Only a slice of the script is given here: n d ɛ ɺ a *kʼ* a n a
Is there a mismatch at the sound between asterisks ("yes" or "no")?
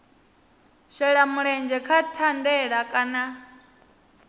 no